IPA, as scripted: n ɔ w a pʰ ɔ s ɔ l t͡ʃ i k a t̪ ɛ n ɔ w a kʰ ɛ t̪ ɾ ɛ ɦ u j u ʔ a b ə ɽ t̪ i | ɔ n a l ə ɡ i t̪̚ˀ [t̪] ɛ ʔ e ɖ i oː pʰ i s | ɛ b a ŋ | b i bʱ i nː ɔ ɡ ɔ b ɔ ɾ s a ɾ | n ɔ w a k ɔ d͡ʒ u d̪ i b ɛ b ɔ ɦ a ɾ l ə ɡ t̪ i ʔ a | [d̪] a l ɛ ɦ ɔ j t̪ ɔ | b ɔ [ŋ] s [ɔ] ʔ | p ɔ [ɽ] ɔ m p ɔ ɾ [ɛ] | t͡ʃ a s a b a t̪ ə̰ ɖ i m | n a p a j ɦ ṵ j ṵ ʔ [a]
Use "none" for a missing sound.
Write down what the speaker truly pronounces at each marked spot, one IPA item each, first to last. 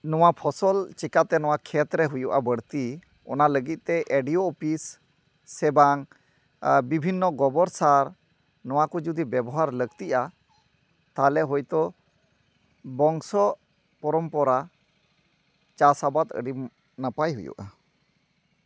t̪, t̪, ŋ, ɔ, ɾ, a, a

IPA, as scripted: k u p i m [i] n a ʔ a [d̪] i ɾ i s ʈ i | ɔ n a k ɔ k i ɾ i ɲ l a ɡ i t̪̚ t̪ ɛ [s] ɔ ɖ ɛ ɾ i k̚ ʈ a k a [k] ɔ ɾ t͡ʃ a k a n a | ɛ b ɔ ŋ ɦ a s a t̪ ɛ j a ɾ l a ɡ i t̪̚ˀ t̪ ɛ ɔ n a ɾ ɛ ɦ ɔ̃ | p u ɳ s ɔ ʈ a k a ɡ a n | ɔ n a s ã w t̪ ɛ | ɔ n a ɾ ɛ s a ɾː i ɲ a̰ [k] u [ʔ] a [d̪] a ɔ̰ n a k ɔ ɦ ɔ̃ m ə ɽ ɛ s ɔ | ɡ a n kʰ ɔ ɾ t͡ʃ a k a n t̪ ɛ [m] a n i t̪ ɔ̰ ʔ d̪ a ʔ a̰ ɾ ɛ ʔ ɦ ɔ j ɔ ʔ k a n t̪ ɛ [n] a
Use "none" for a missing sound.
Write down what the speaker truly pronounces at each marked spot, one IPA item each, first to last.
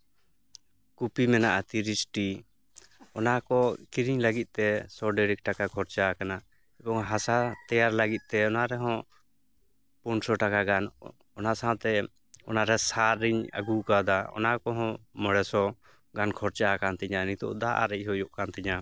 ɛ, t̪, s, kʰ, ɡ, k, d̪, ɲ, ɲ

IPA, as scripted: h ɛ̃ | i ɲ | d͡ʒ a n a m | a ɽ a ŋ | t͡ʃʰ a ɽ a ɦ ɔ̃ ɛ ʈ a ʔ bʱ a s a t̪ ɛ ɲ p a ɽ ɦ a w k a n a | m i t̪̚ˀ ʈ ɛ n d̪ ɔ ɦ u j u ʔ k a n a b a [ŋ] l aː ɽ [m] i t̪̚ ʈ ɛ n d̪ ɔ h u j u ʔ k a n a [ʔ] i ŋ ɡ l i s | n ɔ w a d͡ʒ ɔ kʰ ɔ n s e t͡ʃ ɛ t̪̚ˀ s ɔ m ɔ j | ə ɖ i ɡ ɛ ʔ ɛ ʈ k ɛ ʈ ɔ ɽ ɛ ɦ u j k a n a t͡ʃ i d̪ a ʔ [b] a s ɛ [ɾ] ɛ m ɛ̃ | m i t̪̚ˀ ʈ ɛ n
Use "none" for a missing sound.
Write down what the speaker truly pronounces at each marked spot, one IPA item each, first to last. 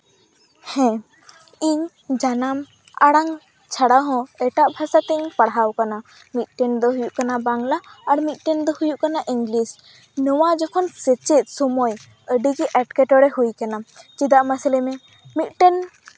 ŋ, m, ʔ, m, l

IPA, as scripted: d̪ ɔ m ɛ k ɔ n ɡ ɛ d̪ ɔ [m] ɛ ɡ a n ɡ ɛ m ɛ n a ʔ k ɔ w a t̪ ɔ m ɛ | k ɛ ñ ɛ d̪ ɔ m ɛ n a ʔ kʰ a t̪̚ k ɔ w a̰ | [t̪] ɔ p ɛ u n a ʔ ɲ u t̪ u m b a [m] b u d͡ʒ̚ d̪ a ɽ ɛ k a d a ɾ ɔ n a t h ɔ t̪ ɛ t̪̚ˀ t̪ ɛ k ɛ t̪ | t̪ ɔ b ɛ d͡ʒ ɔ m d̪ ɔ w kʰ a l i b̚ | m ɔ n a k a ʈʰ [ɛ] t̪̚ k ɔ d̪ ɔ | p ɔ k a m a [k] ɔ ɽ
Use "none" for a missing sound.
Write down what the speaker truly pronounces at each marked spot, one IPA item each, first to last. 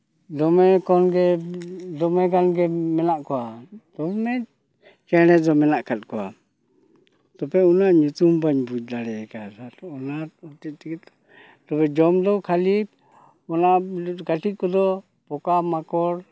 m, t̪, ɲ, i, k

